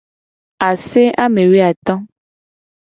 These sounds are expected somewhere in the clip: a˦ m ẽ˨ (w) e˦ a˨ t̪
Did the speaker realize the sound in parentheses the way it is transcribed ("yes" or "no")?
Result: yes